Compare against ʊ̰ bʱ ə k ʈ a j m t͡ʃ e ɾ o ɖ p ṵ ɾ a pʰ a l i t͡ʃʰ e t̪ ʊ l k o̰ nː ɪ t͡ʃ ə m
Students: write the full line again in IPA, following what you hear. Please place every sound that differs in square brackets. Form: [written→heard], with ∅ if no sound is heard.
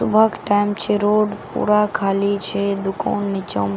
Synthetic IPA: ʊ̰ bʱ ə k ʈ a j m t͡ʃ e ɾ o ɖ p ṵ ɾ a [pʰ→kʰ] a l i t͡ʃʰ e [t̪→d̪] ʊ [l→∅] k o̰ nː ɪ t͡ʃ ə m